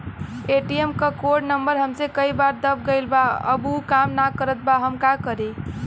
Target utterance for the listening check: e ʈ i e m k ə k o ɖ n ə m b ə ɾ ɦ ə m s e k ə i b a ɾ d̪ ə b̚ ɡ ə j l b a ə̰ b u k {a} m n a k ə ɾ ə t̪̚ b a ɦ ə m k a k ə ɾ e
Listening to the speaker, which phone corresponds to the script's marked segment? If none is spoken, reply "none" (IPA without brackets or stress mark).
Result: a